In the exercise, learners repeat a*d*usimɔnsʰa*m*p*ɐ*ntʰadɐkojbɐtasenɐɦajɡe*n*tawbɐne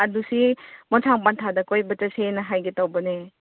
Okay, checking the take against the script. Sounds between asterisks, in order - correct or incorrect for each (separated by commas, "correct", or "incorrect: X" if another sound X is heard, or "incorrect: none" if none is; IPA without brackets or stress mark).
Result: correct, incorrect: ŋ, incorrect: a, incorrect: none